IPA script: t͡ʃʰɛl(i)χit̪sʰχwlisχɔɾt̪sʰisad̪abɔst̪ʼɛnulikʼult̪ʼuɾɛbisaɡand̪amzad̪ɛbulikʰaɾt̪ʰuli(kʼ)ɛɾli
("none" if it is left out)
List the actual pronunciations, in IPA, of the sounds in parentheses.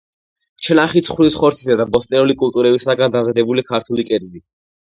a, kʼ

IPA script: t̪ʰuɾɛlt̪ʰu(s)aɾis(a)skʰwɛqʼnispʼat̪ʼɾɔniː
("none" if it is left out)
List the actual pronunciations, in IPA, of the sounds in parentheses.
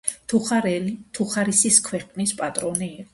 χ, i

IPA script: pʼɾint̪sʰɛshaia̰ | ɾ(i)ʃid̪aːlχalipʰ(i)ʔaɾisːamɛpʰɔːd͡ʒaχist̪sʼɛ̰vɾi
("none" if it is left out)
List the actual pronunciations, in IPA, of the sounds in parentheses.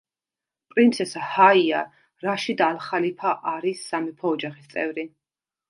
a, a

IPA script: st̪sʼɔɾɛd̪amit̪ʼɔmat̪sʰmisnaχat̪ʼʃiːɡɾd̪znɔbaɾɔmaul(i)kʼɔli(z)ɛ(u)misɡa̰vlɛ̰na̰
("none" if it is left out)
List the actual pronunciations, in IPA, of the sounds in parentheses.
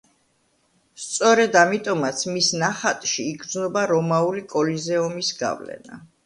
i, z, ɔ

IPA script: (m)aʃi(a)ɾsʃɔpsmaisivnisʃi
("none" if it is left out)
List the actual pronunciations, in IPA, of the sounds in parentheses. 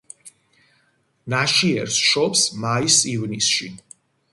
n, ɛ

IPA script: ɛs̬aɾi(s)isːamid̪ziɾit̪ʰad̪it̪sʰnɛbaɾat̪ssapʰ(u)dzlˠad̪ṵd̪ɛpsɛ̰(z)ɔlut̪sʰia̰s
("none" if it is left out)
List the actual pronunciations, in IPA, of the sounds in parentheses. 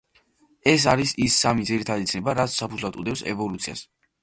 s, u, v

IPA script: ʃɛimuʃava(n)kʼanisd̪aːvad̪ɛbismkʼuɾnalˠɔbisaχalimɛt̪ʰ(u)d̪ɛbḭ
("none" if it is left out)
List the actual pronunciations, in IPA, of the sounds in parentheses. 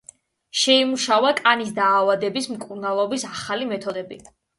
none, ɔ

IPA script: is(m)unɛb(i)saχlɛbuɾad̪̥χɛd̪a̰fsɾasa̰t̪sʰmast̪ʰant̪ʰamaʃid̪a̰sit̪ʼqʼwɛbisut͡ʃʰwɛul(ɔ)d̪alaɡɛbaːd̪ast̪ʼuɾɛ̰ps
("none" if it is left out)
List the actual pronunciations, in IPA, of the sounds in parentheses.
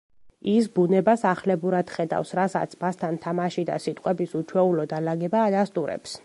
b, a, ɔ

